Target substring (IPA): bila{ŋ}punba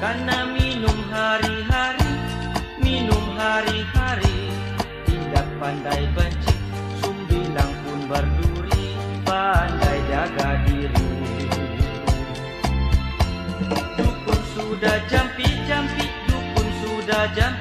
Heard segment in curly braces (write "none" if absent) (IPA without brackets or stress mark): ŋ